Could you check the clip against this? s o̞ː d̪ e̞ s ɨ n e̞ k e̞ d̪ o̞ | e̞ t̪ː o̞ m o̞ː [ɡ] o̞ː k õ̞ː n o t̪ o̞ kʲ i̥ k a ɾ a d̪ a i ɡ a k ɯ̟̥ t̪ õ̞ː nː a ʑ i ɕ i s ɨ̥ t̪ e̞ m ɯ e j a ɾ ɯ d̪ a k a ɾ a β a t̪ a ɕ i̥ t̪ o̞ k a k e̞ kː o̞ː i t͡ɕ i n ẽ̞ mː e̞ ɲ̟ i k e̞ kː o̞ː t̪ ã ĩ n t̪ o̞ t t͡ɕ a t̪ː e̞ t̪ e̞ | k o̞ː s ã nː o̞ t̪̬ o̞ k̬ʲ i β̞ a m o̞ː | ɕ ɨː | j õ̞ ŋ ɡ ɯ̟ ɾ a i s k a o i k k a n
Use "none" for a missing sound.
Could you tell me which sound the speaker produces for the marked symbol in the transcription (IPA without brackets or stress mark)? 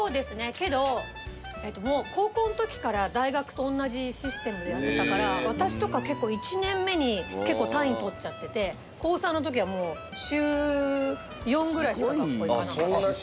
k